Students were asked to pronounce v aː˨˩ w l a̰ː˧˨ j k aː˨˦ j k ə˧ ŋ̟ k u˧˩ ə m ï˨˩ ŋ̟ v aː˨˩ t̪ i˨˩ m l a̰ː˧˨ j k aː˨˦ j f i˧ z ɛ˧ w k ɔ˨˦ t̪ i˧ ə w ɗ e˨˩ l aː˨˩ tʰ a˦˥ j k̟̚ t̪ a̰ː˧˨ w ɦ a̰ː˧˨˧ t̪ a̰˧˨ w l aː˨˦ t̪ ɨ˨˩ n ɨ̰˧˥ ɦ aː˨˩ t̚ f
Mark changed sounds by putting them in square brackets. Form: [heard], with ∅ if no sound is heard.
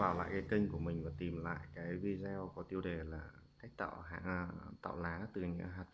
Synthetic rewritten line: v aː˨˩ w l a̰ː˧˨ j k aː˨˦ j k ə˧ ŋ̟ k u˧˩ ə m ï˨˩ ŋ̟ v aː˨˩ t̪ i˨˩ m l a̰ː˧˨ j k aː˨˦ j [v] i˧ z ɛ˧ w k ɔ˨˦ t̪ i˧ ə w ɗ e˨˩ l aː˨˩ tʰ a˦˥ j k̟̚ t̪ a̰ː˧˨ w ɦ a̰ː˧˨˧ t̪ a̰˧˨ w l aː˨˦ t̪ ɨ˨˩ [ɲ] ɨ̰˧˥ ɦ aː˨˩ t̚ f